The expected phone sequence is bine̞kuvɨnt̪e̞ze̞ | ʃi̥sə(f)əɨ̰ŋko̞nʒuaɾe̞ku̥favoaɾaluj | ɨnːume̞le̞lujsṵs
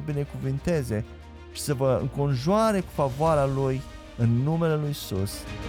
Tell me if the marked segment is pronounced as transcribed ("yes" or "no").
no